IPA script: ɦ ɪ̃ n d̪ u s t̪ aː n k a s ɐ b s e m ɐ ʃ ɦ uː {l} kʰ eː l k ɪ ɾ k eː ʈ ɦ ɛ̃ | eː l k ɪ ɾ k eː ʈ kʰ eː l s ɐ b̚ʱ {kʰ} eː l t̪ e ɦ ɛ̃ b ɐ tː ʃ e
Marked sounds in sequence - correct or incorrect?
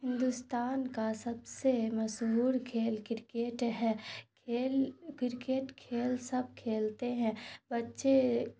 incorrect: ɾ, correct

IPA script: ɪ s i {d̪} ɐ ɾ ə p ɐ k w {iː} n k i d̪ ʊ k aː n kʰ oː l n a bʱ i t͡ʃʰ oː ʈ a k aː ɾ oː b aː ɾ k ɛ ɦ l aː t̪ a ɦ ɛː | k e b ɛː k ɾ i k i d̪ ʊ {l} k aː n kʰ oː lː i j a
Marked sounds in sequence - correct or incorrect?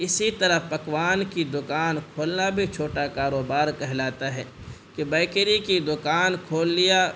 incorrect: t̪, incorrect: aː, incorrect: none

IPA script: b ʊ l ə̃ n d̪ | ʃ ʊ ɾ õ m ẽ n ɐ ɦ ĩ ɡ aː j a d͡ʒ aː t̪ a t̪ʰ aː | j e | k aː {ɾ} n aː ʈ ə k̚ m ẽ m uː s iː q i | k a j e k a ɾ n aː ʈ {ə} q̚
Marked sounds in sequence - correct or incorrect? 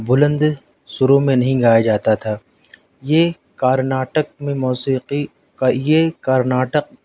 correct, correct

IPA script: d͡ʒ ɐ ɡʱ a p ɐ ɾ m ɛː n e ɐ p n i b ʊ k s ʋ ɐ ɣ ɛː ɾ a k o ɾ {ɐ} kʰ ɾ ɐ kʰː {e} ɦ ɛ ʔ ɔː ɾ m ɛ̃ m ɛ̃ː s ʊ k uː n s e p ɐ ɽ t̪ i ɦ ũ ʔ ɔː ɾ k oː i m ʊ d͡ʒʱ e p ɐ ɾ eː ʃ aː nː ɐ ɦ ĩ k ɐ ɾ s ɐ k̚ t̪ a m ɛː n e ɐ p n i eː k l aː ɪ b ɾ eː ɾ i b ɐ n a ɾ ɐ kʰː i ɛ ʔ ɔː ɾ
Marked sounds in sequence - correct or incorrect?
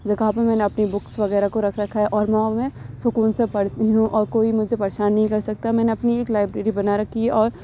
correct, incorrect: a

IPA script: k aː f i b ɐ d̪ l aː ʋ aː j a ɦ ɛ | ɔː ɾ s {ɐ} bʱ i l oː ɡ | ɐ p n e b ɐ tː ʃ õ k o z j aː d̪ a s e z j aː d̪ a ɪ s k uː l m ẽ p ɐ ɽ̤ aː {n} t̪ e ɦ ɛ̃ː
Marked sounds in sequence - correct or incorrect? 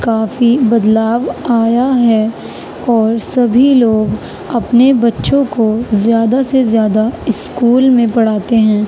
correct, incorrect: none

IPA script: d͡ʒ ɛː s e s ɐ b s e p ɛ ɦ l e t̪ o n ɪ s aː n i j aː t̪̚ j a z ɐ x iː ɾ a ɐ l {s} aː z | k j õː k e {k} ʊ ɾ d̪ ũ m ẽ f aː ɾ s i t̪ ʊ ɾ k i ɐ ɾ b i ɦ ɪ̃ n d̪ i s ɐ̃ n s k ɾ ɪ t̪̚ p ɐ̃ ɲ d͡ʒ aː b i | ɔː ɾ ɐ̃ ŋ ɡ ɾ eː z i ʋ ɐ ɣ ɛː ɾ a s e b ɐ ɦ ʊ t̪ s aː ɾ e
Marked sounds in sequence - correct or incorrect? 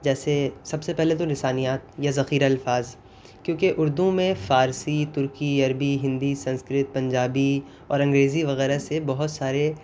incorrect: f, incorrect: ʔ

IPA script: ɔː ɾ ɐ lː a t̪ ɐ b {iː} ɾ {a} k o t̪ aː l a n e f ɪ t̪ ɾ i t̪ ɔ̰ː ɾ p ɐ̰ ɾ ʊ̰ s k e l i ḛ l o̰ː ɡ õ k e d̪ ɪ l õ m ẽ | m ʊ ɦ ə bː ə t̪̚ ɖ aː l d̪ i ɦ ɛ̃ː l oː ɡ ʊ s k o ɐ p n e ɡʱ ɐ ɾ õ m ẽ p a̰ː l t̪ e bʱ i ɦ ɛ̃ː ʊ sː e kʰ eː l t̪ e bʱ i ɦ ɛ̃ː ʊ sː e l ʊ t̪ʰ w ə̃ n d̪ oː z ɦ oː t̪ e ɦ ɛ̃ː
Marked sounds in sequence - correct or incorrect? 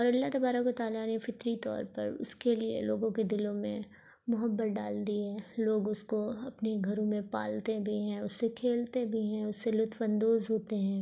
incorrect: aː, correct

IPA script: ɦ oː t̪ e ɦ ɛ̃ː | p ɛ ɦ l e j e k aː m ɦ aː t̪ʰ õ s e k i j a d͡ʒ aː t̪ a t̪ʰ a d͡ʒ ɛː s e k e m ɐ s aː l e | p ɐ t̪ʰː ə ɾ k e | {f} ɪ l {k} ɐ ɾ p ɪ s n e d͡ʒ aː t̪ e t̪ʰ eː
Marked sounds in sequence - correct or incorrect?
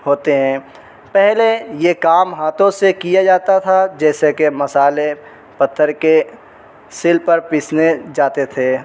incorrect: s, incorrect: p

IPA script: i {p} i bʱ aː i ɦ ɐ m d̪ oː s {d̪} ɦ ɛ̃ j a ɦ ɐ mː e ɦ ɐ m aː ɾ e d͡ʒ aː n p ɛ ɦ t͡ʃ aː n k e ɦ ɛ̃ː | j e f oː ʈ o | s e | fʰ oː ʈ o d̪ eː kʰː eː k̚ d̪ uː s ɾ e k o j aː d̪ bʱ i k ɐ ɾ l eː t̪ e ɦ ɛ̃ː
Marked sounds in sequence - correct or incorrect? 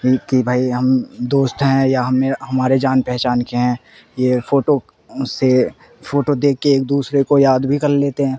incorrect: k, incorrect: t̪

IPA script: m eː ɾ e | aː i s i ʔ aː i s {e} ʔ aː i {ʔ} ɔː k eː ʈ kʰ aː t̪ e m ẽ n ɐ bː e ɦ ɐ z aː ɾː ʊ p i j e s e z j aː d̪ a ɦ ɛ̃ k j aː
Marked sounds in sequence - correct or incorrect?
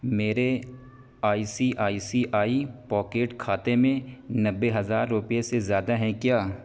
incorrect: i, incorrect: p

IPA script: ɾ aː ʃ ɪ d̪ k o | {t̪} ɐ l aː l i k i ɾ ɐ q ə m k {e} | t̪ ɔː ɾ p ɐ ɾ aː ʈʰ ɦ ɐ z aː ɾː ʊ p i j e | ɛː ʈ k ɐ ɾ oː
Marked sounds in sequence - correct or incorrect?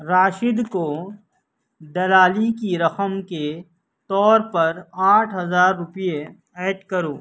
incorrect: d̪, correct

